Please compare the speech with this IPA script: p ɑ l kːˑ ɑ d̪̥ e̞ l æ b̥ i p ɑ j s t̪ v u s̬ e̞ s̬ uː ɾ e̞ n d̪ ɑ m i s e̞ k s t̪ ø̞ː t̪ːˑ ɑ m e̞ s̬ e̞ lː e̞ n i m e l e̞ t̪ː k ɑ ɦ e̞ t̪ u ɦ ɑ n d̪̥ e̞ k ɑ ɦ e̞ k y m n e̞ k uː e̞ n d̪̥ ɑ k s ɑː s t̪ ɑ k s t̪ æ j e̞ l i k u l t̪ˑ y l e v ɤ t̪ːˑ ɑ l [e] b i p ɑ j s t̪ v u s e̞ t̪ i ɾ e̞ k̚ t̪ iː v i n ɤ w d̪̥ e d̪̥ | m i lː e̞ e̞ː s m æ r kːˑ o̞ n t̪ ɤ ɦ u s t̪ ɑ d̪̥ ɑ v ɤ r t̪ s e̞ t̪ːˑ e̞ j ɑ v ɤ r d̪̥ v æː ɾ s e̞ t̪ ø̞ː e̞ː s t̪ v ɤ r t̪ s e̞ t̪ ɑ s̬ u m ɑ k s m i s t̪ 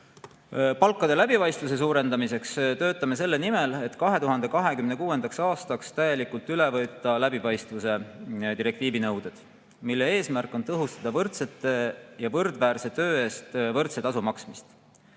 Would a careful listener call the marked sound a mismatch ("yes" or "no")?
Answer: yes